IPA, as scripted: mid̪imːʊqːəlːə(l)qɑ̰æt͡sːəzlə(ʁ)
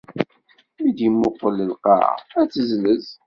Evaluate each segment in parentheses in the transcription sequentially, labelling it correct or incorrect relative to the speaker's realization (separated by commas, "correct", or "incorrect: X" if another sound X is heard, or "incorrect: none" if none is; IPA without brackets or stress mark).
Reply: correct, incorrect: z